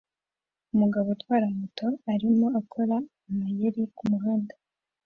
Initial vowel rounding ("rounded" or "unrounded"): rounded